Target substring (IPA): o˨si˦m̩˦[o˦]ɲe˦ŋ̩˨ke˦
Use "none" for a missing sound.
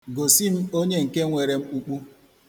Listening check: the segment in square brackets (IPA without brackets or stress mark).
o˦